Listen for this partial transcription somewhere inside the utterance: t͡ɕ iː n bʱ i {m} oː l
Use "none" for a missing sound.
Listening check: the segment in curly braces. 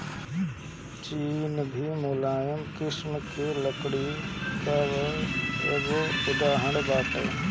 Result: m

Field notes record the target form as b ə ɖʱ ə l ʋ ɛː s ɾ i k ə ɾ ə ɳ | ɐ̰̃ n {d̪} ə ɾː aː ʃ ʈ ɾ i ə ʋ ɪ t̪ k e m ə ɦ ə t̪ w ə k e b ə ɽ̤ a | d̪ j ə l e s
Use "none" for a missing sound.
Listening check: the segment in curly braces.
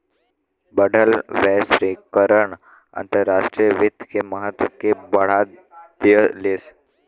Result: t̪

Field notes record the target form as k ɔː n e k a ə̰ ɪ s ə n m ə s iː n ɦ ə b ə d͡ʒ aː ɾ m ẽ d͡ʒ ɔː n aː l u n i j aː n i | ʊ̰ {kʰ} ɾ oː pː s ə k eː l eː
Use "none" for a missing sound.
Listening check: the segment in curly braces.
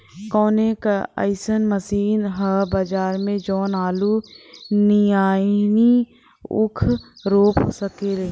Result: kʰ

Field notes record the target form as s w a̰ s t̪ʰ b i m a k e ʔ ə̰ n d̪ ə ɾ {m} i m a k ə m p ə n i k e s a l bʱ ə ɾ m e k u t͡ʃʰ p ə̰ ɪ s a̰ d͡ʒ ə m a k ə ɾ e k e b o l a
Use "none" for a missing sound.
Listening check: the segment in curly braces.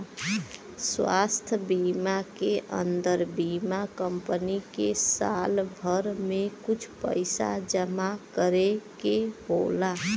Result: b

